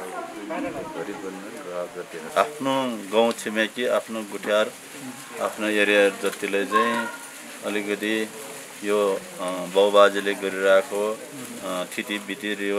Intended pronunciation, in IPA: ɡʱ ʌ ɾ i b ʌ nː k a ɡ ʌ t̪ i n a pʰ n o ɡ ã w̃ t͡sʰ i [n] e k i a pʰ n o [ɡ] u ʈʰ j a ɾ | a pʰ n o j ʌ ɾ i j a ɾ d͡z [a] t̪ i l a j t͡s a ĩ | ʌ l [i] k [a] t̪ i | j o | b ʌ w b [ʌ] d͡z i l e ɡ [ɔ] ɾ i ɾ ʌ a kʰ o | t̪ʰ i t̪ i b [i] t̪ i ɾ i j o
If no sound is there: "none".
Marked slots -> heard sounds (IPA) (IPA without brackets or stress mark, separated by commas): m, ɡ, ʌ, i, ʌ, a, ʌ, i